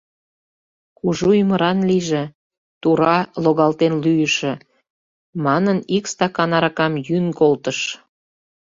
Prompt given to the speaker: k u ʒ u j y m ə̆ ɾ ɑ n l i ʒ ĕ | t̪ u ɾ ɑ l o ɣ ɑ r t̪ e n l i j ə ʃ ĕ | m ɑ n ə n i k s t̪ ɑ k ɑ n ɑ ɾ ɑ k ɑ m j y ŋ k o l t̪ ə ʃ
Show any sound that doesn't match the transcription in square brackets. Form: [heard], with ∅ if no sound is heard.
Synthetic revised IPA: k u ʒ u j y m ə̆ ɾ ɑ n l i ʒ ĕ | t̪ u ɾ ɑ l o ɣ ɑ [l] t̪ e n l [y] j ə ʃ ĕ | m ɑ n ə n i k s t̪ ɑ k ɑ n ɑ ɾ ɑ k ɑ m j y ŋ k o l t̪ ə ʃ